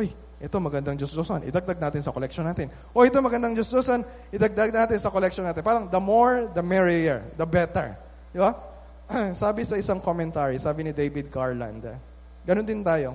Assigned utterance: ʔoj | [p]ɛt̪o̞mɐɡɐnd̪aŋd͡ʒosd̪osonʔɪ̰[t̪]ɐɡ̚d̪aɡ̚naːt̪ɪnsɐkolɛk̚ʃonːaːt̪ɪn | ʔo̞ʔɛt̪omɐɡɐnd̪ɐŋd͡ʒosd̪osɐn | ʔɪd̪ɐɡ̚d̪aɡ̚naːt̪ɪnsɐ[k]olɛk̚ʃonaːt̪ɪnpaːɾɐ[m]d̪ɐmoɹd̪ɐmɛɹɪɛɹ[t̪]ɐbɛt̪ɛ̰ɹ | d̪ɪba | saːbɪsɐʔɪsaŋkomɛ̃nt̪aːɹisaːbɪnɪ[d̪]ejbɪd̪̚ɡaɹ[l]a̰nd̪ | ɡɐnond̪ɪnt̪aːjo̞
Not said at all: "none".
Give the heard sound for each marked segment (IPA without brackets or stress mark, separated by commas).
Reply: ʔ, d̪, k, ŋ, d̪, d̪, l